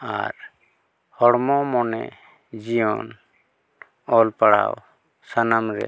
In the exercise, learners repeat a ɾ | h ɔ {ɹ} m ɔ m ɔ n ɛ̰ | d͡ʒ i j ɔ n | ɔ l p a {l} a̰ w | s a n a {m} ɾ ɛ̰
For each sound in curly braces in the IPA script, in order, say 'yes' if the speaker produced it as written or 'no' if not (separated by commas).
no, no, yes